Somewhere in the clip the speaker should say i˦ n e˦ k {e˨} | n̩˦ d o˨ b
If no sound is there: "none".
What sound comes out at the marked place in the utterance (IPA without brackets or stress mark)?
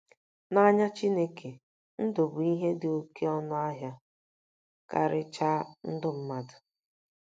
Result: e˨